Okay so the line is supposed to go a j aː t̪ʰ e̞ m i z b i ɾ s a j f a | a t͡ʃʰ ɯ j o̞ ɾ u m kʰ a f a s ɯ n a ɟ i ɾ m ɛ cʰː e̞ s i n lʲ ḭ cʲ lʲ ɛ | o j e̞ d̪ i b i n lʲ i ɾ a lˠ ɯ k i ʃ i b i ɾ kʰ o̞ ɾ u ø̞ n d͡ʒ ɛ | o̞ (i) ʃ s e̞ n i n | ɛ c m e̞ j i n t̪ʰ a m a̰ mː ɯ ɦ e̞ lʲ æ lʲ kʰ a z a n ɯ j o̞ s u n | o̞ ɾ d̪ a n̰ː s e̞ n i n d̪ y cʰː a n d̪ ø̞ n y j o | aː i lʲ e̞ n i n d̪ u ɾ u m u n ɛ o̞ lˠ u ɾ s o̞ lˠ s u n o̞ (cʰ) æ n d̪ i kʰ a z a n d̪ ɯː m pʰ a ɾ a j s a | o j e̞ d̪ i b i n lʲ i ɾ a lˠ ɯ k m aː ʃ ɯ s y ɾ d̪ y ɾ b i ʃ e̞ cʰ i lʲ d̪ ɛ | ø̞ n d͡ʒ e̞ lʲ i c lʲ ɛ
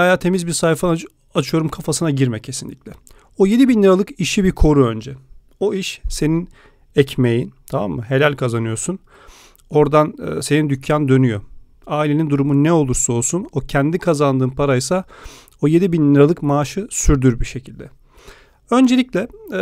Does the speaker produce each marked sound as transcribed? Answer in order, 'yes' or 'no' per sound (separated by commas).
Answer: yes, yes